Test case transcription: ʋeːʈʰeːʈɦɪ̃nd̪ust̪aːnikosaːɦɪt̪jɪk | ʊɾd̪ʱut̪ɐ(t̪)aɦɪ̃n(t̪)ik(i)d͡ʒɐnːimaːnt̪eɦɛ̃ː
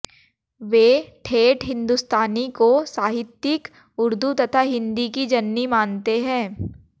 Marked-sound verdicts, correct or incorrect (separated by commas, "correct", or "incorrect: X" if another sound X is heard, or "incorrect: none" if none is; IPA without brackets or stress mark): incorrect: t̪ʰ, incorrect: d̪, correct